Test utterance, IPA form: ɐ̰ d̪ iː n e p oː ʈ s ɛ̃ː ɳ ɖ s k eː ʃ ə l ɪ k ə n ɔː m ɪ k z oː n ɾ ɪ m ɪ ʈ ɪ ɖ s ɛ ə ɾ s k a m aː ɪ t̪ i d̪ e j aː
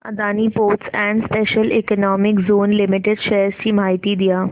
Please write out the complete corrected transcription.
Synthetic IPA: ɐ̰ d̪ aː n i p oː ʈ s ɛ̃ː ɳ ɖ s p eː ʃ ə l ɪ k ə n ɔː m ɪ k z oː n l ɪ m ɪ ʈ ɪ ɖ ʃ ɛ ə ɾ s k i m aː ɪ t̪ i d̪ i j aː